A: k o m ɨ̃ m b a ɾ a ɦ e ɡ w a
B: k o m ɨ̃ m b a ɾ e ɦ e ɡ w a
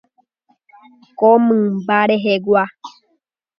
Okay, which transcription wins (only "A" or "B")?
B